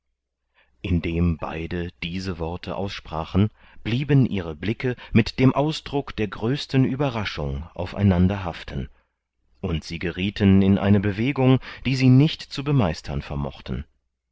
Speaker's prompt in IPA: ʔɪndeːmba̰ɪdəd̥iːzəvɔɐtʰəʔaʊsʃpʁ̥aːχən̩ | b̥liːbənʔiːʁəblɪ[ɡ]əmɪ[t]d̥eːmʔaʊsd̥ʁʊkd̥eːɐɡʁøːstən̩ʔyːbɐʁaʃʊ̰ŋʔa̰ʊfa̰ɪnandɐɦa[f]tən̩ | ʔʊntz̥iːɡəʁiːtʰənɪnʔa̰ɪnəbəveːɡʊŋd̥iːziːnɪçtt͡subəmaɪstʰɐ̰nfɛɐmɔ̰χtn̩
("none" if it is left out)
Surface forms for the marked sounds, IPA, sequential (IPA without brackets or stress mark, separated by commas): k, t, f